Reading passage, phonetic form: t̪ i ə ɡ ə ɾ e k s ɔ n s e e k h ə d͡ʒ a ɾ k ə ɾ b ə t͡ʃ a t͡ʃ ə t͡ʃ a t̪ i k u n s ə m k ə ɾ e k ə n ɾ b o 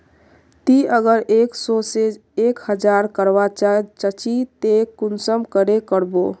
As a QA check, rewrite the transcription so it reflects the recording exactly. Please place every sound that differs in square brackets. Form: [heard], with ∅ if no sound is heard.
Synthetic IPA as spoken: t̪ i ə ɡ ə ɾ e k s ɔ [∅] s e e k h ə d͡ʒ a ɾ k ə ɾ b [a] t͡ʃ a t͡ʃ ə t͡ʃ [i] t̪ [e] k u n s ə m k ə ɾ e k ə [∅] ɾ b o